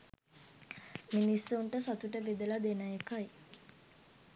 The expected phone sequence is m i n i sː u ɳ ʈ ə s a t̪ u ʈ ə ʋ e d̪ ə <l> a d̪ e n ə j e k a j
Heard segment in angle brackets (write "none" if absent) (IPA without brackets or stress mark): l